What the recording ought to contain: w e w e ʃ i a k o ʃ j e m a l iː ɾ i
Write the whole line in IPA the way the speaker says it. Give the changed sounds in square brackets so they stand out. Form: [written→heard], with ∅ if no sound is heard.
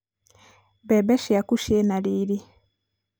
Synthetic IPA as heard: [w→b] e [w→b] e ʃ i a k [o→u] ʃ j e [m→n] a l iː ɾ i